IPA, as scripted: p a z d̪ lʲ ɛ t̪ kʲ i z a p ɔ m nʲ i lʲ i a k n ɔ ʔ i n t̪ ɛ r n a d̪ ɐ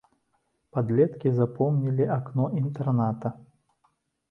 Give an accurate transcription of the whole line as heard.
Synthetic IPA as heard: p a d̪ lʲ ɛ t̪ kʲ i z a p ɔ m nʲ i lʲ i a k n ɔ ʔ i n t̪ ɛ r n a t̪ ɐ